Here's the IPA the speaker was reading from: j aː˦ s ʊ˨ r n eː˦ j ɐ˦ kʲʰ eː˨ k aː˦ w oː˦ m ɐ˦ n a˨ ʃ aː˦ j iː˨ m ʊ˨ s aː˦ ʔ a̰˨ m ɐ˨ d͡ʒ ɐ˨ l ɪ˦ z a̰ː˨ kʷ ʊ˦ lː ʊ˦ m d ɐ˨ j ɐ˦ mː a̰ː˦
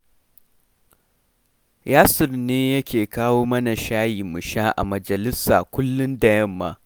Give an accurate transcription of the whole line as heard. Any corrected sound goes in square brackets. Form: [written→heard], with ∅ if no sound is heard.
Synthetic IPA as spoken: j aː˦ s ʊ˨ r n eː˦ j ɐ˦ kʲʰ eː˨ k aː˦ w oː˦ m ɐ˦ n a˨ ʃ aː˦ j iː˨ m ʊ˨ [s→ʃ] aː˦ ʔ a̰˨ m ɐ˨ d͡ʒ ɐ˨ l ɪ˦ [z→s] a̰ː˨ kʷ ʊ˦ lː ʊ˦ [m→n] d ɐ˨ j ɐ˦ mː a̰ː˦